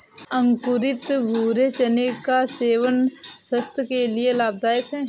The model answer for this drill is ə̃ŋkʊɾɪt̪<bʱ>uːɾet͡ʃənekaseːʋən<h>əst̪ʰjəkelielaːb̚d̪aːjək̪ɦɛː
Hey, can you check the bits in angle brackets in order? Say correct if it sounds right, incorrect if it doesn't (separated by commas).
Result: correct, incorrect